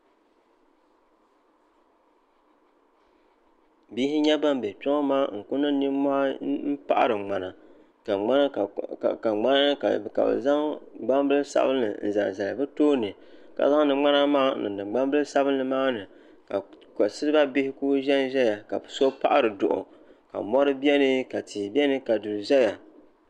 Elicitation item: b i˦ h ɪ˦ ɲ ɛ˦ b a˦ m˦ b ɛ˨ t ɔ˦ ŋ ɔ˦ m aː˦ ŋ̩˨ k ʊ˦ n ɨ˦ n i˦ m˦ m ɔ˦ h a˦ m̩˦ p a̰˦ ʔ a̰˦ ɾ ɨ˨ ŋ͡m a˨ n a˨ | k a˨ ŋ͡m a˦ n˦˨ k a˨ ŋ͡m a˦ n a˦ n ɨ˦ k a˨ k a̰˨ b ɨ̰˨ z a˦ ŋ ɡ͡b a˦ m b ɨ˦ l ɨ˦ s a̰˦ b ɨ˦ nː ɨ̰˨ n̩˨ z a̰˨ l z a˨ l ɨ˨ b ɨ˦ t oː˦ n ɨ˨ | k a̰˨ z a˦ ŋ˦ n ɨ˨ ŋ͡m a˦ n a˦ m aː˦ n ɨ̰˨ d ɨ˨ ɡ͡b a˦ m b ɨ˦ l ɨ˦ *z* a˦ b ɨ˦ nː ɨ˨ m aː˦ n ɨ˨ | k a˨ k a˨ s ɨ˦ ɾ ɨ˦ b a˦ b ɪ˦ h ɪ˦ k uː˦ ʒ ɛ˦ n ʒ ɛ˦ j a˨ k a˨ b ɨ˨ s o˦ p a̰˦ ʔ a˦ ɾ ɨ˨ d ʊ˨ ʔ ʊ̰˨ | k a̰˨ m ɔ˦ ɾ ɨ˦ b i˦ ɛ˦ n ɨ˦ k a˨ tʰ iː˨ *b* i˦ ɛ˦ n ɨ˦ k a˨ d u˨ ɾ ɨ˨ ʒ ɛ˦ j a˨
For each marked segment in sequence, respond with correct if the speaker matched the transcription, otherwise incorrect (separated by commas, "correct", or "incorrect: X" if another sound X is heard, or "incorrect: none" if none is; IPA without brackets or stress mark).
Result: incorrect: s, correct